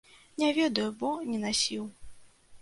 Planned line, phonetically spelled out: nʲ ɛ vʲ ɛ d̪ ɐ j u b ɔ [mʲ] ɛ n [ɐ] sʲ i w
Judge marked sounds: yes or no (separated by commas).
no, no